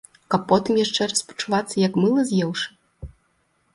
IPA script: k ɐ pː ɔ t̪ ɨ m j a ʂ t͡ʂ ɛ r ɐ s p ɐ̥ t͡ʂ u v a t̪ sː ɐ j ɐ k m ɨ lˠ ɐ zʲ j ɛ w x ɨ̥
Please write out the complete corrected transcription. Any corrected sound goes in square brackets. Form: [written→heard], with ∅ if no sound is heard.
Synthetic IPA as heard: k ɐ pː ɔ t̪ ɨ m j a ʂ t͡ʂ ɛ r ɐ s p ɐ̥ t͡ʂ u v a t̪ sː ɐ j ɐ k m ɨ lˠ ɐ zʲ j ɛ w [x→ʂ] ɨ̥